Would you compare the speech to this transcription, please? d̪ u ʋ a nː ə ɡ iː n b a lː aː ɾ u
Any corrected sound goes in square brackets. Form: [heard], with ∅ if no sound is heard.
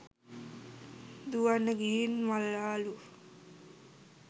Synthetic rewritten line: d̪ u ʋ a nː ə ɡ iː n [m] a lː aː [l] u